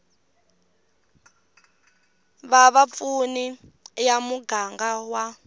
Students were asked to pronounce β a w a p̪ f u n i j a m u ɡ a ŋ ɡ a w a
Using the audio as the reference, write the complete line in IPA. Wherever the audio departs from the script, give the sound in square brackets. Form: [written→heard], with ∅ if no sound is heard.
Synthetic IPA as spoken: β a [w→β] a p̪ f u n i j a m u ɡ a ŋ ɡ a w a